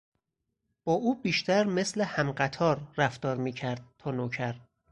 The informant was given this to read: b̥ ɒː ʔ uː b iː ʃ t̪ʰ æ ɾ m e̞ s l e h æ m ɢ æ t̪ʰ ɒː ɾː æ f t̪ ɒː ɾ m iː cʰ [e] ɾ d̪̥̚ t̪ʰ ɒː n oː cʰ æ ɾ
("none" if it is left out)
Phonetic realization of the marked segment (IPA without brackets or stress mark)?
æ